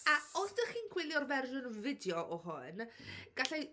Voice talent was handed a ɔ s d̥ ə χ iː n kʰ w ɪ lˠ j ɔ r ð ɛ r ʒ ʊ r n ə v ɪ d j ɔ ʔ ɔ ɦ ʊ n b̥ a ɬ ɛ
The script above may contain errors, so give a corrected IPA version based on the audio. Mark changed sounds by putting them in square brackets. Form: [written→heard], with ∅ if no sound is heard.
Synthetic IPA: a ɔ s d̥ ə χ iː n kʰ w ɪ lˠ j ɔ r [ð→v] ɛ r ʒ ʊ [r→∅] n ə v ɪ d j ɔ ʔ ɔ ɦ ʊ n [b̥→ɡ̥] a ɬ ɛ